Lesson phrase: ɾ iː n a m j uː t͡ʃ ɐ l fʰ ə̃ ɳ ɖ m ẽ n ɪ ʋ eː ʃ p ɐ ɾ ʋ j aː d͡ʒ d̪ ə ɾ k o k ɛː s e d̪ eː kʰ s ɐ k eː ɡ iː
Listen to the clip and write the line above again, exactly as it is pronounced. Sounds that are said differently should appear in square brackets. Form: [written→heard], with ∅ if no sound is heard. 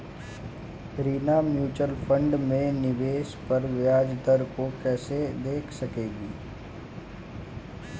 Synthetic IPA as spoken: ɾ iː n a m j uː t͡ʃ [ɐ→ə] l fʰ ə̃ ɳ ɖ m ẽ n ɪ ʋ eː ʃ p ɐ ɾ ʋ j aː d͡ʒ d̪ ə ɾ k o k ɛː s e d̪ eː kʰ s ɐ k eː ɡ iː